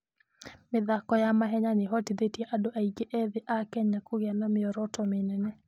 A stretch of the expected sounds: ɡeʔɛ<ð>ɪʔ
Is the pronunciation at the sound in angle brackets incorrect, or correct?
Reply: correct